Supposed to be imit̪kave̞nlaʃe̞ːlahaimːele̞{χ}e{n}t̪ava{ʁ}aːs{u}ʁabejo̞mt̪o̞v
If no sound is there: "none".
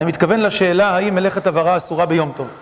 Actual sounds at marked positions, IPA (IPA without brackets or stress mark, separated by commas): χ, none, ʁ, u